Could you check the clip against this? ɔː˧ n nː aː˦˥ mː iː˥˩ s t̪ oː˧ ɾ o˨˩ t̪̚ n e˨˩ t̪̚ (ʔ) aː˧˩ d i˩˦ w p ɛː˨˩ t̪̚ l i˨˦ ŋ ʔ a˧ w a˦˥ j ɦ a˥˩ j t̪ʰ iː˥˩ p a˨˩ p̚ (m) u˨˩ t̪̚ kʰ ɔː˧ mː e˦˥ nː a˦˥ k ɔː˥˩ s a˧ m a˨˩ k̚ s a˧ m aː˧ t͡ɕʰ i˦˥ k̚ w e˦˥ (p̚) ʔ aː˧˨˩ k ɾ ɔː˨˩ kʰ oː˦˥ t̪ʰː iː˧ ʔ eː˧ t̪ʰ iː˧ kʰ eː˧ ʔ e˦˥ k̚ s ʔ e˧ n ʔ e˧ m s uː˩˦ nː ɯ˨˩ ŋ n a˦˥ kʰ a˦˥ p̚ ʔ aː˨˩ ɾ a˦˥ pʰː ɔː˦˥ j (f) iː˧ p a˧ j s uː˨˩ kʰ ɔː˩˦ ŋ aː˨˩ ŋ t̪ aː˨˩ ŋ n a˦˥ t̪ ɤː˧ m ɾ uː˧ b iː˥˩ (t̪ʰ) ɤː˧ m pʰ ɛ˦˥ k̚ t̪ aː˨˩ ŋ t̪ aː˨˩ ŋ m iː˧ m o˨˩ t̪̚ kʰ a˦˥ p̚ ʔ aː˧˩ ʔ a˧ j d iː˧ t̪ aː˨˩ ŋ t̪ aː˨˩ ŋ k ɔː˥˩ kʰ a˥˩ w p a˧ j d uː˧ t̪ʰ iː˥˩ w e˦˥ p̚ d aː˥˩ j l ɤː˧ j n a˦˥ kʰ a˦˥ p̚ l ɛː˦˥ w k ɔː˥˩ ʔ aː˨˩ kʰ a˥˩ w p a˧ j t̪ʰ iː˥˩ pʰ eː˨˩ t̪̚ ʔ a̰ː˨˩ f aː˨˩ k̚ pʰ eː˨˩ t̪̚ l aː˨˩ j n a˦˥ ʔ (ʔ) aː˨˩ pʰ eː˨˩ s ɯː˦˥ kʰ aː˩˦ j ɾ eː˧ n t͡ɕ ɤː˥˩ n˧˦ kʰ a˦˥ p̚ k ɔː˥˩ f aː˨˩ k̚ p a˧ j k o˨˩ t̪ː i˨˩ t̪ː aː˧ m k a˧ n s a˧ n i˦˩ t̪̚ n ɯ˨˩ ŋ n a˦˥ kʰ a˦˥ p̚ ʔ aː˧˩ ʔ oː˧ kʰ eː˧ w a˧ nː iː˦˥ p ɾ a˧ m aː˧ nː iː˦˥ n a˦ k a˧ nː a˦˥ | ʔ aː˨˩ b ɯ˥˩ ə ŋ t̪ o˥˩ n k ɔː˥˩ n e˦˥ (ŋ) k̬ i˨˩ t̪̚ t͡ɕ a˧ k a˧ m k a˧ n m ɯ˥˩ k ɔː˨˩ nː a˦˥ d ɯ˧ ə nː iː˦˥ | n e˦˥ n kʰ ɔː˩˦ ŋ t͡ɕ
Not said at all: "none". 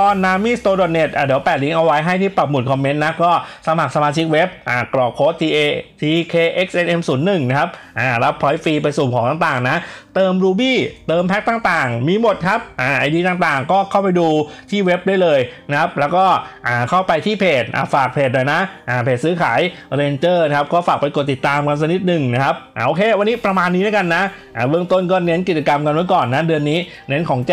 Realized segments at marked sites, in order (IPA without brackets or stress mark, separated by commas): ʔ, m, p̚, f, t̪, ʔ, n